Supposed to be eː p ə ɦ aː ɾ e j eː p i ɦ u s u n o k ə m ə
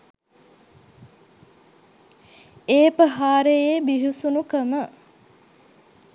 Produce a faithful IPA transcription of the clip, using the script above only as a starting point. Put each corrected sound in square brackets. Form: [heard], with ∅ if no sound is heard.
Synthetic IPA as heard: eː p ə ɦ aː ɾ e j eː [b] i ɦ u s u n [u] k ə m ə